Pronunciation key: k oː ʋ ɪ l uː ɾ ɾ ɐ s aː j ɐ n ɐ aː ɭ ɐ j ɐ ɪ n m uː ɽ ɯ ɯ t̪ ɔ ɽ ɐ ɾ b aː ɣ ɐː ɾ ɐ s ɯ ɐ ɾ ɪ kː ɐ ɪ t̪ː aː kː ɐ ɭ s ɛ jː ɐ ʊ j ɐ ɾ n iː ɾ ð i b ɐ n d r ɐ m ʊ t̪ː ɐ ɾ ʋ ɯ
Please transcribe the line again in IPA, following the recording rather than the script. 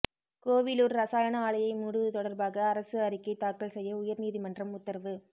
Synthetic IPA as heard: k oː ʋ ɪ l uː ɾ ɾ ɐ s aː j ɐ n ɐ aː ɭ ɐ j ɐ ɪ m uː ɽ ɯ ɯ t̪ ɔ ɽ ɐ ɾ b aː ɣ ɐː ɾ ɐ s ɯ ɐ ɾ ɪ kː ɐ ɪ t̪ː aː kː ɐ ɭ s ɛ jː ɐ ʊ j ɐ ɾ n iː ð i m ɐ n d r ɐ m ʊ t̪ː ɐ ɾ ʋ ɯ